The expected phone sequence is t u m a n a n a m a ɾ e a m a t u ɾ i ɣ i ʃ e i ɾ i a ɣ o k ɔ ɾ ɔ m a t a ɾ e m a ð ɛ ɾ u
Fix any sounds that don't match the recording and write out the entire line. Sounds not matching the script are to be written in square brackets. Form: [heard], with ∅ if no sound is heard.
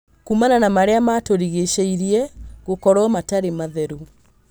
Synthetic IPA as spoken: [k] u m a n a n a m a ɾ e a m a t [o] ɾ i ɣ [e] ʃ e i ɾ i [ɛ] ɣ o k ɔ ɾ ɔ m a t a ɾ e m a ð ɛ ɾ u